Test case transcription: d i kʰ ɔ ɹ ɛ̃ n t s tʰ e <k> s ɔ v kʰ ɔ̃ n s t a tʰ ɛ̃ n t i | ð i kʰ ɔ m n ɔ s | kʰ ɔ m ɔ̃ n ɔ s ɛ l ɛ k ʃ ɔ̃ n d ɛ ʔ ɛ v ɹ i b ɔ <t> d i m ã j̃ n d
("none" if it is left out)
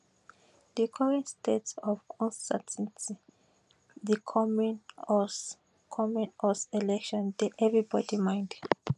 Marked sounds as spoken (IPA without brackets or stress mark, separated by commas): t, none